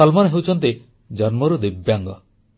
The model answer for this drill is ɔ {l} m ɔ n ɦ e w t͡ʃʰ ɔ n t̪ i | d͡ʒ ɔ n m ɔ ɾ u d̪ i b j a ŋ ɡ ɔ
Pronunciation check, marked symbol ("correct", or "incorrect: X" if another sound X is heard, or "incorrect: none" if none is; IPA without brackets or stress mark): correct